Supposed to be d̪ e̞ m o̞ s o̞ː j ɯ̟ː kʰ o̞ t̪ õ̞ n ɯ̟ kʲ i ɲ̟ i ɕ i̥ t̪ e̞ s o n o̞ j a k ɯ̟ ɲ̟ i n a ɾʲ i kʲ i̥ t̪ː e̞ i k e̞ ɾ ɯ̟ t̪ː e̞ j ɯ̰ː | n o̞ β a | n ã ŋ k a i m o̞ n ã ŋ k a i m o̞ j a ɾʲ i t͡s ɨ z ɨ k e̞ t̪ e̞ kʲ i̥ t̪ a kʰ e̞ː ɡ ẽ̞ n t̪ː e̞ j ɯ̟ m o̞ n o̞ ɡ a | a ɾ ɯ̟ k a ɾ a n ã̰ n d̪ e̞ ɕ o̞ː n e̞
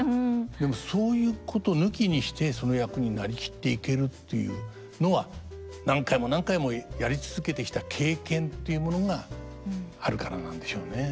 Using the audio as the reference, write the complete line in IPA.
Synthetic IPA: d̪ e̞ m o̞ s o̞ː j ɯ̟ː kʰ o̞ t̪ o̞ n ɯ̟ kʲ i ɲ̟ i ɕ i̥ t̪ e̞ s o n o̞ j a k ɯ̟ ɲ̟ i n a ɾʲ i kʲ i̥ t̪ː e̞ i k e̞ ɾ ɯ̟ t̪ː e̞ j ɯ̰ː | n o̞ β a | n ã ŋ k a i m o̞ n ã ŋ k a i m o̞ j a ɾʲ i t͡s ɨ z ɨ k e̞ t̪ e̞ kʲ i̥ t̪ a kʰ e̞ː k ẽ̞ n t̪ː e̞ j ɯ̟ m o̞ n o̞ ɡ a | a ɾ ɯ̟ k a ɾ a n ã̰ n d̪ e̞ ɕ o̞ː n e̞